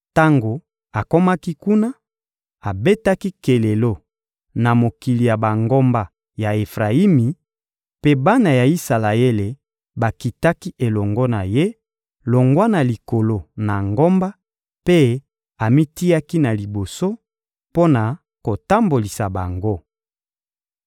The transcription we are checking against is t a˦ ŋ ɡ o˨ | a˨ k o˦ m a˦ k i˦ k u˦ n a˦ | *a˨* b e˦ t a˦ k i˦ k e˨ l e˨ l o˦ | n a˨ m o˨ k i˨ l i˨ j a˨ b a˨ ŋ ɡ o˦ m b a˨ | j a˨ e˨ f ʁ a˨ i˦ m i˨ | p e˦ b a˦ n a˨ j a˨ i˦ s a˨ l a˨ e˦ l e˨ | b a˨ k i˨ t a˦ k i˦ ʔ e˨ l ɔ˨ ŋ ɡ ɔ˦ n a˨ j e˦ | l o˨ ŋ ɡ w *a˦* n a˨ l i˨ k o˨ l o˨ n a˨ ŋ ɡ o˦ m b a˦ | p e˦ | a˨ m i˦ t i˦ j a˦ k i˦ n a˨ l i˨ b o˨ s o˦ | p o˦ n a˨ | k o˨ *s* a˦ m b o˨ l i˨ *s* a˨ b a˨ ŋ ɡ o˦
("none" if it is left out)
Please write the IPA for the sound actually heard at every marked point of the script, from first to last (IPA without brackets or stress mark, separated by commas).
a˨, a˦, t, s